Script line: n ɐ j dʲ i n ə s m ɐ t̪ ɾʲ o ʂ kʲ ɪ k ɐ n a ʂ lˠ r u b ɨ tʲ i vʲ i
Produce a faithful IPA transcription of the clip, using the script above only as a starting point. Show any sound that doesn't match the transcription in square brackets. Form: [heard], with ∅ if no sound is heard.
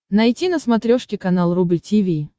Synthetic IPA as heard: n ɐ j [tʲ] i n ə s m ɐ t̪ ɾʲ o ʂ kʲ ɪ k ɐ n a [∅] lˠ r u b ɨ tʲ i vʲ i